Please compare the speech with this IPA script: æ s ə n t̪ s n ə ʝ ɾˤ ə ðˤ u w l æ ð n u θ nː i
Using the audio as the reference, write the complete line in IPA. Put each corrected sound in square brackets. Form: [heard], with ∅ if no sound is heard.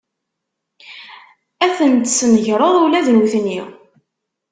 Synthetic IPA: æ [θ] ə n t̪ s n ə ʝ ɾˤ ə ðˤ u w l æ ð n u θ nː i